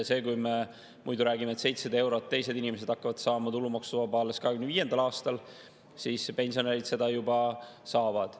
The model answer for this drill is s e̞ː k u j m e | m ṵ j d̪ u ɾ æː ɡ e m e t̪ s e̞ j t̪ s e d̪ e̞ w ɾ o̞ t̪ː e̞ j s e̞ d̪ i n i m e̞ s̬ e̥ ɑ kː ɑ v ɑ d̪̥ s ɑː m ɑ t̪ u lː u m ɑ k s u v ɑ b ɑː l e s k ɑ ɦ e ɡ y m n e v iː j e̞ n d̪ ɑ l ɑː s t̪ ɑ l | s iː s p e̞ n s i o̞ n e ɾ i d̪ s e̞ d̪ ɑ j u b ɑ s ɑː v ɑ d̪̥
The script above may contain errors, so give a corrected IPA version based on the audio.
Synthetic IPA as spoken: s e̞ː k u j m e | m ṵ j d̪ u ɾ æː ɡ i m e t̪ s e̞ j t̪ s e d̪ e̞ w ɾ o̞ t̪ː e̞ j s e̞ d̪ i n i m e̞ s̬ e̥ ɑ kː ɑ v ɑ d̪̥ s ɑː m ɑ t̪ u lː u m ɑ k s u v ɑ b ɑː l e s k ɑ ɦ e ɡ y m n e v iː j e̞ n d̪ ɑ l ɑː s t̪ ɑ l | s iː s p e̞ n s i o̞ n e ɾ i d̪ s e̞ d̪ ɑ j u b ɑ s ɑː v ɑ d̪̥